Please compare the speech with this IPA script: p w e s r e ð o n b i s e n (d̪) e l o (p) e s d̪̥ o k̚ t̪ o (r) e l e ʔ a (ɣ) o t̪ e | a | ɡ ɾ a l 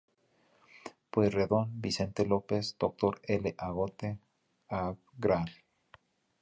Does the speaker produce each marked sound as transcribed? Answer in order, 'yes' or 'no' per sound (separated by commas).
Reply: no, yes, no, yes